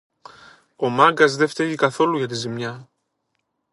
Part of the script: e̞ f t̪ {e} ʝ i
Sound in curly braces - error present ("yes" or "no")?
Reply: no